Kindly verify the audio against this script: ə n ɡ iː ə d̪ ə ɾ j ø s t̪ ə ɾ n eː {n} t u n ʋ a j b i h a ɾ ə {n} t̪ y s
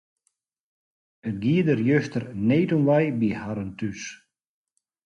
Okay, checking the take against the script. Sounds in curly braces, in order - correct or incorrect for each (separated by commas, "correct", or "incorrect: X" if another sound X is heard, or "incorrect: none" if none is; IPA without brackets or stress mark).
incorrect: none, correct